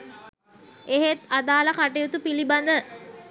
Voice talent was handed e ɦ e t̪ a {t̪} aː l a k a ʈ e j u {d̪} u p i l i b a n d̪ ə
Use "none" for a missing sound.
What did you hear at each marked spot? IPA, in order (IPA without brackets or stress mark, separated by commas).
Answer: d̪, t̪